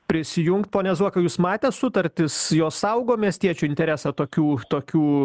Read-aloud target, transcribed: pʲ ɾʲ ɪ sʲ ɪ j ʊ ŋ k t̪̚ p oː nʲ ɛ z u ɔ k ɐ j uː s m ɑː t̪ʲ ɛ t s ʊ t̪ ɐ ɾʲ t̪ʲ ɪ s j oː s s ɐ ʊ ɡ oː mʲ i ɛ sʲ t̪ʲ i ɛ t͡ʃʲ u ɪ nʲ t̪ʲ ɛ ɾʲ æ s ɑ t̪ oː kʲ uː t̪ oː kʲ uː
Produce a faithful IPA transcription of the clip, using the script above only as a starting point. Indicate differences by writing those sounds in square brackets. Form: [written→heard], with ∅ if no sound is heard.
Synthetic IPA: pʲ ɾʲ ɪ sʲ ɪ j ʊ ŋ k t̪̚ p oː nʲ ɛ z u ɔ k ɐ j uː s m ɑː t̪ʲ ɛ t s ʊ t̪ ɐ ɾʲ t̪ʲ ɪ s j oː s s ɐ ʊ ɡ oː mʲ i ɛ sʲ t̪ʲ i ɛ t͡ʃʲ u ɪ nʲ t̪ʲ ɛ ɾʲ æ s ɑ t̪ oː kʲ uː t̪ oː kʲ uː